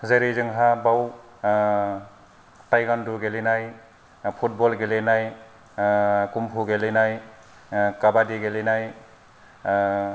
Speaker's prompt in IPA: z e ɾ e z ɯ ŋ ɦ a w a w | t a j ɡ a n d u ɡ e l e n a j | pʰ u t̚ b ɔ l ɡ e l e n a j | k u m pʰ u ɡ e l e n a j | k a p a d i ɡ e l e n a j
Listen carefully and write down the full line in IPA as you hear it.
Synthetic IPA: z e ɾ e z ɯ ŋ ɦ a b a w | t a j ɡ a n d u ɡ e l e n a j | pʰ u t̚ b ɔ l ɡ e l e n a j | k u m pʰ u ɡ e l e n a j | k a b a d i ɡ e l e n a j